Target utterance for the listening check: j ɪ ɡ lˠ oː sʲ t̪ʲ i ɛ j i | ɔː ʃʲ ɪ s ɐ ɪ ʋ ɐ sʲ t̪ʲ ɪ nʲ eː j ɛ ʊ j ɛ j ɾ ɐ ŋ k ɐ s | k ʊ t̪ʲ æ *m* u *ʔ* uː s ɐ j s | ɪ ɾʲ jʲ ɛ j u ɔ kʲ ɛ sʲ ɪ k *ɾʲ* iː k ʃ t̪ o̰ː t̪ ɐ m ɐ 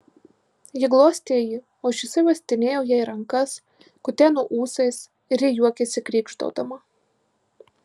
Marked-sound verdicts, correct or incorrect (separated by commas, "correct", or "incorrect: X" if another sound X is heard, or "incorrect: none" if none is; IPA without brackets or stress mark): incorrect: n, correct, correct